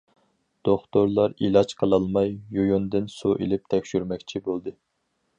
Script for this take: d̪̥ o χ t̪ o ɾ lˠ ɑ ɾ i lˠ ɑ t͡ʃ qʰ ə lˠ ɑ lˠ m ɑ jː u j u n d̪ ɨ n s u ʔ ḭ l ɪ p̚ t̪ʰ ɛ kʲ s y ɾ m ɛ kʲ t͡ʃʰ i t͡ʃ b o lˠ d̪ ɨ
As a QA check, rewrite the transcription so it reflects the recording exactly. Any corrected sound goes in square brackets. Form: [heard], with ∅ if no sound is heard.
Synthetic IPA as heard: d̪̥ o χ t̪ o ɾ lˠ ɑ ɾ i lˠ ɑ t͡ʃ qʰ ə lˠ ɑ lˠ m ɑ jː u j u n d̪ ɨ n s u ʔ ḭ l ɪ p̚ t̪ʰ ɛ kʲ [ʃ] y ɾ m ɛ kʲ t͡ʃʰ i [∅] b o lˠ d̪ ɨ